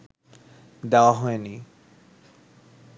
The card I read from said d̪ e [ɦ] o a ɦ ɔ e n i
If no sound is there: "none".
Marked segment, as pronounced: none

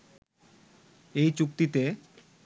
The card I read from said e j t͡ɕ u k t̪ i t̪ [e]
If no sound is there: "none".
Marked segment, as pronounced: e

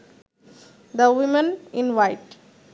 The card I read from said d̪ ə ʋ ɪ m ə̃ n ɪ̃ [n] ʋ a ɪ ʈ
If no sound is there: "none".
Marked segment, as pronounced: n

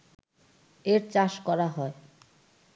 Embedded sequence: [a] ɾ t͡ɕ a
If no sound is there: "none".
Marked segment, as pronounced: e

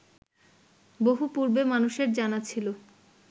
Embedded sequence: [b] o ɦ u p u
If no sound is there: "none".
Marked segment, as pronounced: b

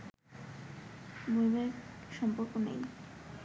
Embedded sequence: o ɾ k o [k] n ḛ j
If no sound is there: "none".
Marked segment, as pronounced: none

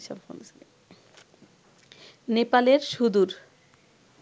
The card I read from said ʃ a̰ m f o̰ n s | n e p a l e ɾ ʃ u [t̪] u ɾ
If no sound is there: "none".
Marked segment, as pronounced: d̪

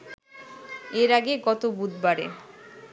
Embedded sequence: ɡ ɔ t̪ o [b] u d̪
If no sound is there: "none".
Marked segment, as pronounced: b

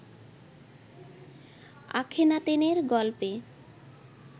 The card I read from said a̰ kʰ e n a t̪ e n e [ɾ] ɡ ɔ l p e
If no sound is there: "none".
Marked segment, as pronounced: ɾ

